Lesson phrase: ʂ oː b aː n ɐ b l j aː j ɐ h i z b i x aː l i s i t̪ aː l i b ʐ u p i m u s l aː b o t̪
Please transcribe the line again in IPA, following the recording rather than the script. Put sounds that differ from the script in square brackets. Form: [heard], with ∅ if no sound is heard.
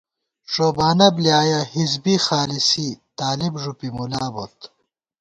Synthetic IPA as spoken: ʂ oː b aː n ɐ b l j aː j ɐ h i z b i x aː l i s i t̪ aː l i b ʐ u p i m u [∅] l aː b o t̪